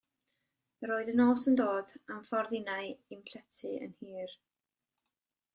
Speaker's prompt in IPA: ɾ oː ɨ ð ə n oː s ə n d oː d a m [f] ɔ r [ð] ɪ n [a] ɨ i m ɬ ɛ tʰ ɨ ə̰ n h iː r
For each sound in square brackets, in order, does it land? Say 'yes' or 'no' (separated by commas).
yes, yes, yes